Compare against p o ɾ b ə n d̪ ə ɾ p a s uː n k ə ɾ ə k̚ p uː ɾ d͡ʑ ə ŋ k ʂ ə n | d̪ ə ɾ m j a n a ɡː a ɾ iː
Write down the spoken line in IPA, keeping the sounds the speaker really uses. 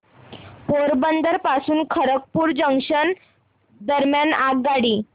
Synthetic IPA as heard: p o ɾ b ə n d̪ ə ɾ p a s uː n kʰ ə ɾ ə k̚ p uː ɾ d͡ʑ ə ŋ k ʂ ə n | d̪ ə ɾ m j a n a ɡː a ɽ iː